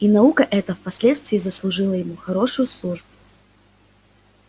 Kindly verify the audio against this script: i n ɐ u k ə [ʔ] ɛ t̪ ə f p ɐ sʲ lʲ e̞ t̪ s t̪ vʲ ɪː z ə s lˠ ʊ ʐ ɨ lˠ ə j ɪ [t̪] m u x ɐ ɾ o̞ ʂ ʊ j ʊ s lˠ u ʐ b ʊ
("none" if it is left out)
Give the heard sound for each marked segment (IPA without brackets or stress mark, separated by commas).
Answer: ʔ, none